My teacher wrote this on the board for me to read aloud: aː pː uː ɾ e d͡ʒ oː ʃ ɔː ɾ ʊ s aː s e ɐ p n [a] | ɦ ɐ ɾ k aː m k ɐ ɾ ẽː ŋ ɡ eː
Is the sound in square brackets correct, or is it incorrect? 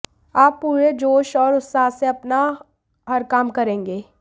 correct